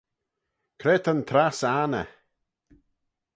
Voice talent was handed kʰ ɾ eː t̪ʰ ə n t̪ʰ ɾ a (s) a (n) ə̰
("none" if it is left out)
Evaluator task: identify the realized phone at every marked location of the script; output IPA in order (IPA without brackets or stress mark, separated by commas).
s, n